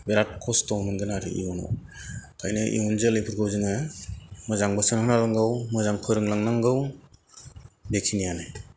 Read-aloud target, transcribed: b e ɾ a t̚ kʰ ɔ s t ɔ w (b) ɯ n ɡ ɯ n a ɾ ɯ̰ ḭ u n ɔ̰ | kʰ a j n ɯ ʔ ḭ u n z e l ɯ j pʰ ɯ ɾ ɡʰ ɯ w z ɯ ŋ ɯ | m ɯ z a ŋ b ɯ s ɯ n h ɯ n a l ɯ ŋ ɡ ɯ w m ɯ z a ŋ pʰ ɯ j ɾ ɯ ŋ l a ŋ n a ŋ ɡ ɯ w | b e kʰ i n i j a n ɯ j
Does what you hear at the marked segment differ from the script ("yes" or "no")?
yes